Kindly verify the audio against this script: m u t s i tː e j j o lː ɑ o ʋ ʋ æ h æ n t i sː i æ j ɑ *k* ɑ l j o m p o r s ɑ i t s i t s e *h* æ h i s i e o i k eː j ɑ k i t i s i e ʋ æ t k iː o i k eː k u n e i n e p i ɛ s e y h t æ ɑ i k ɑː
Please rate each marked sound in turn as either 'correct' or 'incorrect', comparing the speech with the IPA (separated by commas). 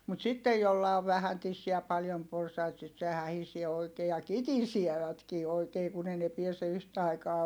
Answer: incorrect, correct